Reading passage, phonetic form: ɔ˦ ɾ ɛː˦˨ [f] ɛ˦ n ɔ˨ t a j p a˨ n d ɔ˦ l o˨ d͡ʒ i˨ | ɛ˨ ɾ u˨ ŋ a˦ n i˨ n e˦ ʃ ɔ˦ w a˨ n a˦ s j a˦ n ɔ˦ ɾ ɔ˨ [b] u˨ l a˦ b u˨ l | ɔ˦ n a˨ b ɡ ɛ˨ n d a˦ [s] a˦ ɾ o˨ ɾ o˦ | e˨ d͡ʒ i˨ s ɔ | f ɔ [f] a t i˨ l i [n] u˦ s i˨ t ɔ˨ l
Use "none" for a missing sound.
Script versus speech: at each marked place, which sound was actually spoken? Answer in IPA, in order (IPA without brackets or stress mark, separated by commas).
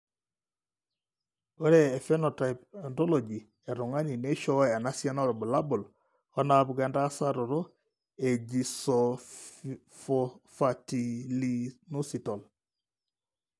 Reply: f, b, s, f, n